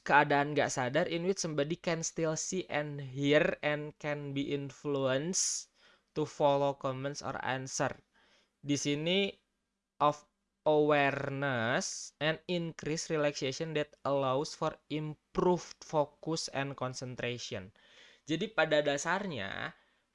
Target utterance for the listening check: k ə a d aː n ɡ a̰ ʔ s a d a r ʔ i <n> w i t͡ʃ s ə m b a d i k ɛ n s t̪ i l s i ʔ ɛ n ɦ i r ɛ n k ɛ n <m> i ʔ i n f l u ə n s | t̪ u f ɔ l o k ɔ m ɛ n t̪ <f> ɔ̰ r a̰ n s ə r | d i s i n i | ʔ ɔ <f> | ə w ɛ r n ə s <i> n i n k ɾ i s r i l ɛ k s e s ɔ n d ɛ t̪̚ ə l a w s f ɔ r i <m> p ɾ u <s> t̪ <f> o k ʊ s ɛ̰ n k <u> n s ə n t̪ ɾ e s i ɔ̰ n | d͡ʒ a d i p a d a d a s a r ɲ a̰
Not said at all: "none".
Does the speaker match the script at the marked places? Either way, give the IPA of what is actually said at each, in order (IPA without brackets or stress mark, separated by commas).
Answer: n, b, s, f, ɛ, m, f, f, ɔ